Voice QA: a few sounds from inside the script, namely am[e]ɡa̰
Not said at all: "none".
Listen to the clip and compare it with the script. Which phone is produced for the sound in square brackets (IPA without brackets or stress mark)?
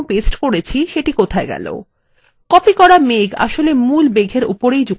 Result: e